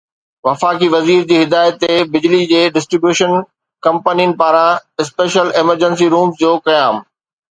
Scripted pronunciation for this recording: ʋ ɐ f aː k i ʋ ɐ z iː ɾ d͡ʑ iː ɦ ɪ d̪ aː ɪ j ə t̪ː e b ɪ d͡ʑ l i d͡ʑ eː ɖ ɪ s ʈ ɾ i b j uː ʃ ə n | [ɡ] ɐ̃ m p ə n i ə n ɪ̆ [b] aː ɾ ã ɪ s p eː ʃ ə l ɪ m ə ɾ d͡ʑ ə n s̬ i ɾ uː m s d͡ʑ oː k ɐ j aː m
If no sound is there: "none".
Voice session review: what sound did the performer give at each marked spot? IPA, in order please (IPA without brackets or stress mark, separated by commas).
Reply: k, p